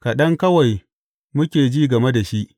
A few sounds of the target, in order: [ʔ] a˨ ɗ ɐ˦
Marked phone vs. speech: incorrect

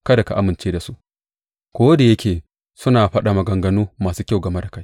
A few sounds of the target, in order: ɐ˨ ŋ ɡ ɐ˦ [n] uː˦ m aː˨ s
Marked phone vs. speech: correct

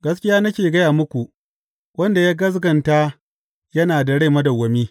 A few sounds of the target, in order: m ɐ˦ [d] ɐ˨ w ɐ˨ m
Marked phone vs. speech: correct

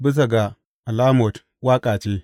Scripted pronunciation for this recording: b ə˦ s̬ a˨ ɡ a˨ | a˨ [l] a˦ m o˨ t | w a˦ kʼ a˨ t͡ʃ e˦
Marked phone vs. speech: correct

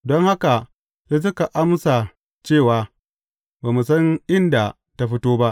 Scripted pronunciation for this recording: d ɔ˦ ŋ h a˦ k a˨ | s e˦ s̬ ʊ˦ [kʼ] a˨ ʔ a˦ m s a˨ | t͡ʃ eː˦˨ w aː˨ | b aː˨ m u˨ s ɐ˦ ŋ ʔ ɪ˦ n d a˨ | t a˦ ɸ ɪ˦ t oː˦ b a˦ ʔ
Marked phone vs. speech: incorrect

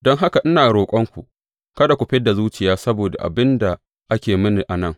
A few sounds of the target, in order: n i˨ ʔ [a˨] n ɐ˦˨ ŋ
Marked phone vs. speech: correct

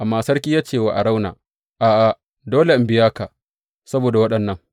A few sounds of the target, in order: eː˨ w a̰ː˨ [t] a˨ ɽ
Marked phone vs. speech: incorrect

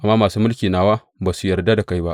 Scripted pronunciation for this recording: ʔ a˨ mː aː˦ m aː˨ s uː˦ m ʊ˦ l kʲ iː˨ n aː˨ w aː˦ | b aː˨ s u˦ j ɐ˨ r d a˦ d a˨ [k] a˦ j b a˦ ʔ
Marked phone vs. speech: correct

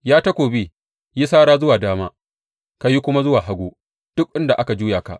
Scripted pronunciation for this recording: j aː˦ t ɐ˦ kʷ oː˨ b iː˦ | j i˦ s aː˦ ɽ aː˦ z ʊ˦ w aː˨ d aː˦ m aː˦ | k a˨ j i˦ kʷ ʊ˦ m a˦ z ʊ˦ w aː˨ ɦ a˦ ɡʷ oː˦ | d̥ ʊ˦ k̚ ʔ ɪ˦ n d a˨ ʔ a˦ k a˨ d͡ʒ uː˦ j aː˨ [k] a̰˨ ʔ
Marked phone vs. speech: correct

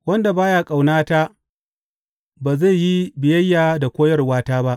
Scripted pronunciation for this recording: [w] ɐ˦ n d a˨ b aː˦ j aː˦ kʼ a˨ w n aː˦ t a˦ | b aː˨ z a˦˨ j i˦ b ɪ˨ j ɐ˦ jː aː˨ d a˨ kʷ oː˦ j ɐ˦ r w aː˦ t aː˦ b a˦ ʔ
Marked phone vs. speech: correct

